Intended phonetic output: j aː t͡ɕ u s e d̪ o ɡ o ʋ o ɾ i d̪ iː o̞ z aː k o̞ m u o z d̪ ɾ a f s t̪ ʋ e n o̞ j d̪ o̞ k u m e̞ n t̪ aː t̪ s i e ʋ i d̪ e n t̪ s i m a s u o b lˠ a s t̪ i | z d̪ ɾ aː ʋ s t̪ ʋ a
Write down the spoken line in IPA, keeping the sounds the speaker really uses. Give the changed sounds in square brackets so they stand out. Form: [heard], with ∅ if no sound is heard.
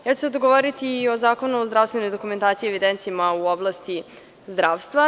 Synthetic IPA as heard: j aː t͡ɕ u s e d̪ o ɡ o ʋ o ɾ i [t̪] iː o̞ z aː k o̞ [n] u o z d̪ ɾ a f s t̪ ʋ e n o̞ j d̪ o̞ k u m e̞ n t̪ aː t̪ s i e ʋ i d̪ e n t̪ s i m a [∅] u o b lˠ a s t̪ i | z d̪ ɾ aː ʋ s t̪ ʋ a